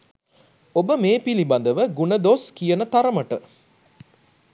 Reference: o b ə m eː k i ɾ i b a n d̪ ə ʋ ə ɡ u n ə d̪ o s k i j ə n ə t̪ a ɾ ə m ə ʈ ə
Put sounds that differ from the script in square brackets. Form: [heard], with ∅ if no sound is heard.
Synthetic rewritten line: o b ə m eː [p] i [l] i b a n d̪ ə ʋ ə ɡ u n ə d̪ o s k i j ə n ə t̪ a ɾ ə m ə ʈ ə